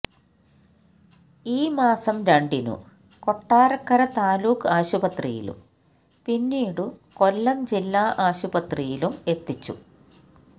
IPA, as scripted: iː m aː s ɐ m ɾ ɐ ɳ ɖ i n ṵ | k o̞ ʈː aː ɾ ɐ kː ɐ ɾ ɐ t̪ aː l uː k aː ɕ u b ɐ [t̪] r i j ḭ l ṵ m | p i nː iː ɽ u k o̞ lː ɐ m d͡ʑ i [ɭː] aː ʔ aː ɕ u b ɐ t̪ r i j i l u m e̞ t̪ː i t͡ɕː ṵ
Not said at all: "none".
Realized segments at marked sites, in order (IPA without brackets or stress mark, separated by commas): t̪, lː